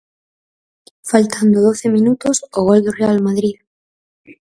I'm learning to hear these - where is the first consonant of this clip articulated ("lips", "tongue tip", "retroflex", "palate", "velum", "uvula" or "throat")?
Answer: lips